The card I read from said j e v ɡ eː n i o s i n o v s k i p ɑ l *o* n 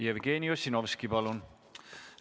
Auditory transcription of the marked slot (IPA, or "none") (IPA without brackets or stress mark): u